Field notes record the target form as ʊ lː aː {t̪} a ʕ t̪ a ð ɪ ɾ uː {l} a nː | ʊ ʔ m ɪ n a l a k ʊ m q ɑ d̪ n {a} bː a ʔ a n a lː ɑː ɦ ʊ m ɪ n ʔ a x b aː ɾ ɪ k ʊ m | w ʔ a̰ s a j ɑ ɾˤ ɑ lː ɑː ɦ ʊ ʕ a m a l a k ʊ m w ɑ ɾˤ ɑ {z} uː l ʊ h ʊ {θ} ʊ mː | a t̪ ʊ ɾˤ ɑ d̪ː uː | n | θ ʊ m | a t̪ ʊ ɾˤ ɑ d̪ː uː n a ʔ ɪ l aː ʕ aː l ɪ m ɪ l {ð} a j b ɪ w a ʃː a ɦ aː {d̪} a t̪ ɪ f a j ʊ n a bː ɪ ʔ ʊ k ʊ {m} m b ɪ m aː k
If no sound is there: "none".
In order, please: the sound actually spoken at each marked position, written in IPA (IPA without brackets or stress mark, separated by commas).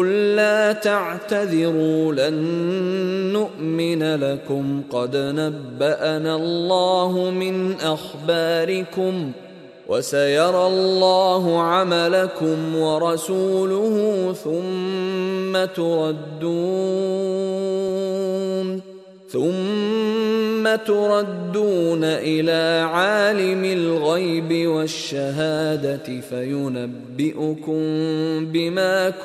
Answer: t̪, l, a, s, θ, ɣ, d̪, m